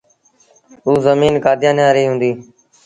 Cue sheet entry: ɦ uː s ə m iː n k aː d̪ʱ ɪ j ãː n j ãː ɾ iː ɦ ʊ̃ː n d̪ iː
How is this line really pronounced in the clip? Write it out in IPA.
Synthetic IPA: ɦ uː z ə m iː n k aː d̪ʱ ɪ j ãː n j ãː ɾ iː ɦ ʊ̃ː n d̪ iː